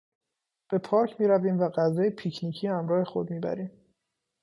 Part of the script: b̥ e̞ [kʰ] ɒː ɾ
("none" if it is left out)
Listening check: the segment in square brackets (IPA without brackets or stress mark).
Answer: pʰ